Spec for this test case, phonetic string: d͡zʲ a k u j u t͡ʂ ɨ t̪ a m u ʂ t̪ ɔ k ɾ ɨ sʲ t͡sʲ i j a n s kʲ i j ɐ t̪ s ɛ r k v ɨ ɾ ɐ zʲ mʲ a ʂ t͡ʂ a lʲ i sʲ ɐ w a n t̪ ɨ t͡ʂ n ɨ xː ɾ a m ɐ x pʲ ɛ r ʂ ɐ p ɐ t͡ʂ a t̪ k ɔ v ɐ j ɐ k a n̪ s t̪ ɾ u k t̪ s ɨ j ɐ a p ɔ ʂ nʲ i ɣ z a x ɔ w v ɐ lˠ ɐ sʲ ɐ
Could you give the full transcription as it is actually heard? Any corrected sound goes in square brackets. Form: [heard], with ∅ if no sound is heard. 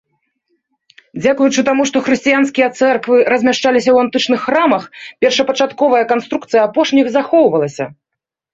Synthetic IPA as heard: d͡zʲ a k u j u t͡ʂ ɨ t̪ a m u ʂ t̪ ɔ [x] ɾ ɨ sʲ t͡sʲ i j a n s kʲ i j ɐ t̪ s ɛ r k v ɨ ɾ ɐ zʲ mʲ a ʂ t͡ʂ a lʲ i sʲ ɐ w a n t̪ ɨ t͡ʂ n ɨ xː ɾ a m ɐ x pʲ ɛ r ʂ ɐ p ɐ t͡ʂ a t̪ k ɔ v ɐ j ɐ k a n̪ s t̪ ɾ u k t̪ s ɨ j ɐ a p ɔ ʂ nʲ i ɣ z a x ɔ w v ɐ lˠ ɐ sʲ ɐ